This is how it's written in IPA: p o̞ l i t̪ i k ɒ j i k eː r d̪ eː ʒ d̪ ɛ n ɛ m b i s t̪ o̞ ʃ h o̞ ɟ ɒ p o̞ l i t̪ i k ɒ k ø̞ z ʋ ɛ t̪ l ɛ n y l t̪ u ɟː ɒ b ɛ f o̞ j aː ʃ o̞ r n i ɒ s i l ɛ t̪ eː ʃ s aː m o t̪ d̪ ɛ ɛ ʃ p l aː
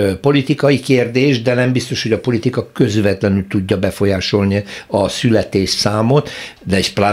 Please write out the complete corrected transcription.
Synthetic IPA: p o̞ l i t̪ i k ɒ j i k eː r d̪ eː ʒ d̪ ɛ n ɛ m b i s t̪ o̞ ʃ h o̞ ɟ ɒ p o̞ l i t̪ i k ɒ k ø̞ z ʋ ɛ t̪ l ɛ n y l t̪ u ɟː ɒ b ɛ f o̞ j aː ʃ o̞ l n i ɒ s y l ɛ t̪ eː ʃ s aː m o t̪ d̪ ɛ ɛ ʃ p l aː